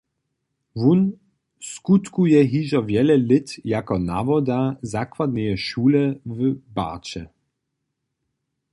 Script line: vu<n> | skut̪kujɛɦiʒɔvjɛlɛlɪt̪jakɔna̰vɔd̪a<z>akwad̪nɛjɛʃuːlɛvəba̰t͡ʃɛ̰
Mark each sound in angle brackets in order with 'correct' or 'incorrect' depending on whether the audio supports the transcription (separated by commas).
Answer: correct, correct